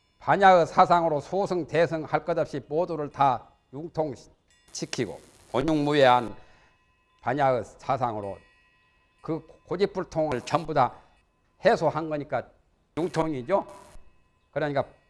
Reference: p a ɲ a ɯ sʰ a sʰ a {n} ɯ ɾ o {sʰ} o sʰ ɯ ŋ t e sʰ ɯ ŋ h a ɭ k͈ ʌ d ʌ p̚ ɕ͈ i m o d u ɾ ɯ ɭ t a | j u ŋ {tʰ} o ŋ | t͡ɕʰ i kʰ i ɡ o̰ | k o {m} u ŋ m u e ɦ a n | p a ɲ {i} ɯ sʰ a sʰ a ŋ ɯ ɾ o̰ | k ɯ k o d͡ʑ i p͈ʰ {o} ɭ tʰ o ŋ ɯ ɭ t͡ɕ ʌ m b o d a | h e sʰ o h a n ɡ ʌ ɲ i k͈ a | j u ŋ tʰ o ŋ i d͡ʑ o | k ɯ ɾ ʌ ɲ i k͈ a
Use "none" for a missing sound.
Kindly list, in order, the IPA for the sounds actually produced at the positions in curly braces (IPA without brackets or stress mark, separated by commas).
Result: ŋ, sʰ, tʰ, ɲ, a, u